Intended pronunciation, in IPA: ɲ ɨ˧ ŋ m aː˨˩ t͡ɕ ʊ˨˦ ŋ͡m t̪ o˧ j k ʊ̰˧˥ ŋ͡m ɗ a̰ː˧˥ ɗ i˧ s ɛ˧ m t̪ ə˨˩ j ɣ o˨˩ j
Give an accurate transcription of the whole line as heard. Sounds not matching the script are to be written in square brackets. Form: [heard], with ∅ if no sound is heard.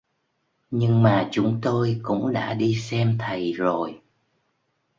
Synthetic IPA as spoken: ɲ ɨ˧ ŋ m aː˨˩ t͡ɕ ʊ˨˦ ŋ͡m t̪ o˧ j k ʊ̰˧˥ ŋ͡m ɗ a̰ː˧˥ ɗ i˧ s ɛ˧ m [t̪ʰ] ə˨˩ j [z] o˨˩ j